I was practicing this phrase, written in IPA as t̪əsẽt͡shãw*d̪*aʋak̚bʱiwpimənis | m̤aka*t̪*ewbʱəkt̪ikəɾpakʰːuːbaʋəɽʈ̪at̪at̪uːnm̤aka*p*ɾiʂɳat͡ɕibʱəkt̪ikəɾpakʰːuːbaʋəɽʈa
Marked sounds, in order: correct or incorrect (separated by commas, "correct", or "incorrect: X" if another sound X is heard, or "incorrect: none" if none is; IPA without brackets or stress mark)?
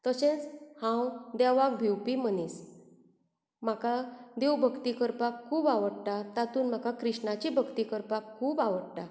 correct, incorrect: d̪, incorrect: k